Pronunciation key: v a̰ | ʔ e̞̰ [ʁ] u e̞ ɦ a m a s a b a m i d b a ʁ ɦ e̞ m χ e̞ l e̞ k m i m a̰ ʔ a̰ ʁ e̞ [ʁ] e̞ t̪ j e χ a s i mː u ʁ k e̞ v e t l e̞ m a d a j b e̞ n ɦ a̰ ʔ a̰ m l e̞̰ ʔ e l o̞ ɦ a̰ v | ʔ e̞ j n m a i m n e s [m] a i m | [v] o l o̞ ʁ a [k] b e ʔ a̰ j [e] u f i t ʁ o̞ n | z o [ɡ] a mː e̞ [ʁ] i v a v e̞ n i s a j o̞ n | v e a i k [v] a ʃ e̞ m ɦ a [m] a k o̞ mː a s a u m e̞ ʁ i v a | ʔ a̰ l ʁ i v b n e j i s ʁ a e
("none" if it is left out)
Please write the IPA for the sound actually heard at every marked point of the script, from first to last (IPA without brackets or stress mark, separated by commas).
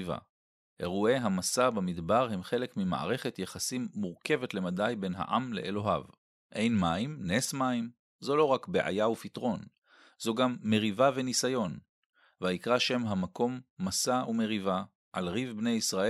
ʁ, χ, m, z, k, a, ɡ, ʁ, ʁ, m